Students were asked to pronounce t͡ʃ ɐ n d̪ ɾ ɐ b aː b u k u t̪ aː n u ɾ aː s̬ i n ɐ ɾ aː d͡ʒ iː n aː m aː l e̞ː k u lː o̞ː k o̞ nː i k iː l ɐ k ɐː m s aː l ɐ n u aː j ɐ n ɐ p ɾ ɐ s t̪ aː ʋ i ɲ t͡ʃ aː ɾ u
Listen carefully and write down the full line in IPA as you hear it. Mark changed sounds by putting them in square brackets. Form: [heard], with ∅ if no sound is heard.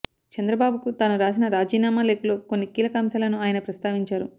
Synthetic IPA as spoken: t͡ʃ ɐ n d̪ ɾ ɐ b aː b u k u t̪ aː n u ɾ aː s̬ i n ɐ ɾ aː d͡ʒ iː n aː m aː l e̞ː k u [l] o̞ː k o̞ nː i k iː l ɐ k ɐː m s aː l ɐ n u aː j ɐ n ɐ p ɾ ɐ s t̪ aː ʋ i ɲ t͡ʃ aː ɾ u